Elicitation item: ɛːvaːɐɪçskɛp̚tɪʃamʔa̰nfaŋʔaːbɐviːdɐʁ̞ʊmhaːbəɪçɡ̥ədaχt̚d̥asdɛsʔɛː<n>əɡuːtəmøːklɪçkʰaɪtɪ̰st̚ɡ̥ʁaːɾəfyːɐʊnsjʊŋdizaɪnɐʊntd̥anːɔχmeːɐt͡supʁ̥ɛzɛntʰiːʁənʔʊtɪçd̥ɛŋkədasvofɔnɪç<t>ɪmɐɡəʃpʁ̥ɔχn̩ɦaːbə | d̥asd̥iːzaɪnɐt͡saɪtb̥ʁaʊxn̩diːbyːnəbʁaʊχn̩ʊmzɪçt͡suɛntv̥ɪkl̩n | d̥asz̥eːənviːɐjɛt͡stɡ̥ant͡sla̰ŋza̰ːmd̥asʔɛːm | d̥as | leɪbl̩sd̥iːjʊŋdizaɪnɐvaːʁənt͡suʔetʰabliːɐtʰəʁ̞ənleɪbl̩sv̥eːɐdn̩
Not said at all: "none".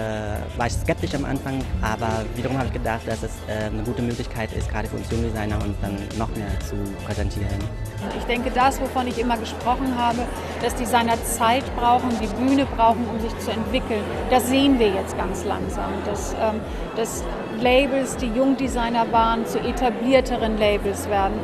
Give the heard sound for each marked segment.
n, ʔ

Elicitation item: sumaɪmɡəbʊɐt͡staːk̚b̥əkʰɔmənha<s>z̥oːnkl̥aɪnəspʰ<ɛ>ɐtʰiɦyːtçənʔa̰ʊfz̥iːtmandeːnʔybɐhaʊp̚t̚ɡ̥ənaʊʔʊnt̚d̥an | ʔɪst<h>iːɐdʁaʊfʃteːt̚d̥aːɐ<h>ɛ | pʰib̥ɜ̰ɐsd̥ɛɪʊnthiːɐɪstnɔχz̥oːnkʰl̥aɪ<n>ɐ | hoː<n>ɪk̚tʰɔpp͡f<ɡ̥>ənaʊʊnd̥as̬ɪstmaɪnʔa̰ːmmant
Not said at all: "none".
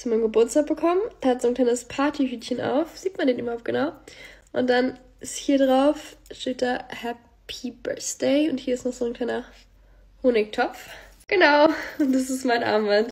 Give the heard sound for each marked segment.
t, a, h, h, n, n, ɡ̥

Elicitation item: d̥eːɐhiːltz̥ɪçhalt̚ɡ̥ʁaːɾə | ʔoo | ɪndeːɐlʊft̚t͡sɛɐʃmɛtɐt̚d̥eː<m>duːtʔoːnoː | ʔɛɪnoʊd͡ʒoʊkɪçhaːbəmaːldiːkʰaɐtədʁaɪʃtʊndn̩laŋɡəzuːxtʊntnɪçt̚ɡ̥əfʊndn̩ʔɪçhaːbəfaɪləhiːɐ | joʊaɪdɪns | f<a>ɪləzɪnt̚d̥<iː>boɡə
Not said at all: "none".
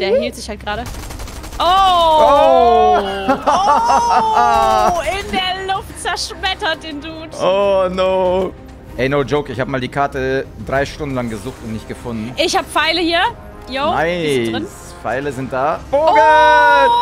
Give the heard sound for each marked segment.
n, a, aː

